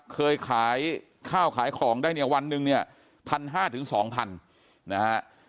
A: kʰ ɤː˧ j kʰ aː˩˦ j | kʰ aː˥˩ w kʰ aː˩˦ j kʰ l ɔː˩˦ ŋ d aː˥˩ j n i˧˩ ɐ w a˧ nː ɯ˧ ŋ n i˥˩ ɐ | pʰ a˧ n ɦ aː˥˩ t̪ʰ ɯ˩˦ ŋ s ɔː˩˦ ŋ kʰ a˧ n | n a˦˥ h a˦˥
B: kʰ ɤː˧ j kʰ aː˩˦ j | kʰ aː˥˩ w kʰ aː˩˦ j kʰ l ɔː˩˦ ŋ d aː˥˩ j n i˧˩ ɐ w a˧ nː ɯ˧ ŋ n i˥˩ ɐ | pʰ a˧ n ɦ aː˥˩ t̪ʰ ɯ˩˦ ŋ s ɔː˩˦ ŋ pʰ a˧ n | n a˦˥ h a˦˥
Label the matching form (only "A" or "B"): B